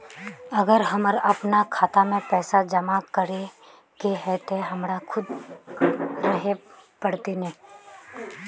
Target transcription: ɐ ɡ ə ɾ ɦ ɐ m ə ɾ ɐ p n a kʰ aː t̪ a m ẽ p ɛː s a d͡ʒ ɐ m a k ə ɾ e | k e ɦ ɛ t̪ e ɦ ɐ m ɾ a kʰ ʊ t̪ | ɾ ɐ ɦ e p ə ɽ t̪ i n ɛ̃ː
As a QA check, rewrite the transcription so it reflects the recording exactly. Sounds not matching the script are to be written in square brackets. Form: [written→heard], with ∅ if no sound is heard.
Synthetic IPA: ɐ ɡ ə ɾ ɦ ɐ m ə ɾ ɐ p n a kʰ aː t̪ a m ẽ p ɛː s a d͡ʒ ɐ m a k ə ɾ e | k e ɦ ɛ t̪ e ɦ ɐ m ɾ a kʰ ʊ [t̪→d̪] | ɾ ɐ ɦ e p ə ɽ t̪ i n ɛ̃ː